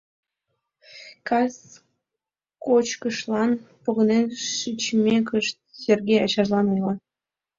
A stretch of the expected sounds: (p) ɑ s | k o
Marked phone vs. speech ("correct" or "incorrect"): incorrect